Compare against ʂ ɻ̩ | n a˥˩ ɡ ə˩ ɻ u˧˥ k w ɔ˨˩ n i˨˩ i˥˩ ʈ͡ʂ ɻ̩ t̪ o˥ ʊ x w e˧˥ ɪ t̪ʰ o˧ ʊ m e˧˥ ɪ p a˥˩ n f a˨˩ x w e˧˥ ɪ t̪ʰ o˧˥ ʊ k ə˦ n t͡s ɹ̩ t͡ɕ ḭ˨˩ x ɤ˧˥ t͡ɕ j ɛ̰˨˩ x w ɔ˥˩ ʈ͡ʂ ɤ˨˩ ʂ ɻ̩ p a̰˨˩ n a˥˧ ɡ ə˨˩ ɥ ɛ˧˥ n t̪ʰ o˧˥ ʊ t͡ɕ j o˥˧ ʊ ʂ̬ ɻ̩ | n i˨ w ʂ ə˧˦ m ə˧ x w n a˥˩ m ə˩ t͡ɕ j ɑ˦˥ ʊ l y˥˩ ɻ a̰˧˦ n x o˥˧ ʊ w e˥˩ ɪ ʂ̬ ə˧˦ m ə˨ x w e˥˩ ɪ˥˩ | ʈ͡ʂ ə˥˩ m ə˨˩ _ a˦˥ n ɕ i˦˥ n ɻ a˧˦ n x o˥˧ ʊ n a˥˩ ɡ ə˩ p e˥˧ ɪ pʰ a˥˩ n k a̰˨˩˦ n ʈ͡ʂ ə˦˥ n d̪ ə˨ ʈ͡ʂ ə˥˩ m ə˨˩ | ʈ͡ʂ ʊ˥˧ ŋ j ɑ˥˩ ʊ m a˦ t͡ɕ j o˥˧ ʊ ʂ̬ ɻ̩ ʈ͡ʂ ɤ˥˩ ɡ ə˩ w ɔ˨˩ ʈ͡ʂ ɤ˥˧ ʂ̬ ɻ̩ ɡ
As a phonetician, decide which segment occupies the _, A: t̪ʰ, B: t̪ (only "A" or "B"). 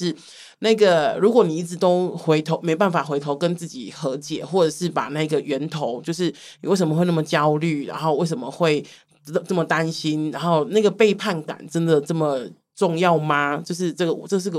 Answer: B